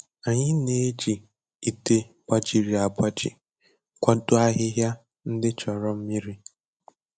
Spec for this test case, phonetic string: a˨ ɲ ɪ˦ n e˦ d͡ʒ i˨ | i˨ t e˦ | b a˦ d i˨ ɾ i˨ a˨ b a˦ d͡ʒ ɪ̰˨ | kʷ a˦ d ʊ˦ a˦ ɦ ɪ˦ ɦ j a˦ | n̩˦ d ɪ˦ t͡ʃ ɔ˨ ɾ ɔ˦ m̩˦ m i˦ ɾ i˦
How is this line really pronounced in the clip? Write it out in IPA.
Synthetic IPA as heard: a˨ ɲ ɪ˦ n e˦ d͡ʒ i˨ | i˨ t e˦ | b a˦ d͡ʒ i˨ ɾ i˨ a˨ b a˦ d͡ʒ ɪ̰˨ | kʷ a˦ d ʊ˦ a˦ ɦ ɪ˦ ɦ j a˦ | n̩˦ d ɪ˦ t͡ʃ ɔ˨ ɾ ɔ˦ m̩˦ m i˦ ɾ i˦